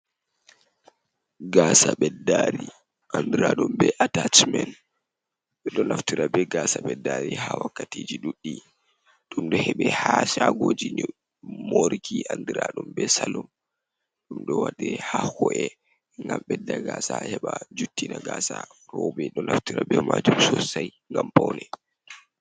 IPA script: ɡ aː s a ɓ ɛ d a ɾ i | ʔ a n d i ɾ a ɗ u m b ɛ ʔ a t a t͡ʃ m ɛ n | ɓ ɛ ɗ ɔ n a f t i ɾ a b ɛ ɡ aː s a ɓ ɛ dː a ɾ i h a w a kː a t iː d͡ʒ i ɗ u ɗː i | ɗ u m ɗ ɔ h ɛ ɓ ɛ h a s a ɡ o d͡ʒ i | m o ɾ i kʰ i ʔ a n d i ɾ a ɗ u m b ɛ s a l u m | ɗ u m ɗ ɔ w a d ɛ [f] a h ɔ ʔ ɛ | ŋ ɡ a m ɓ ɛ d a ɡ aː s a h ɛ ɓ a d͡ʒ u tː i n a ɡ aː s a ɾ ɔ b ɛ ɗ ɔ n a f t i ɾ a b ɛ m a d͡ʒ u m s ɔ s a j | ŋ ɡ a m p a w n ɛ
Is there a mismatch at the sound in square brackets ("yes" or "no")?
yes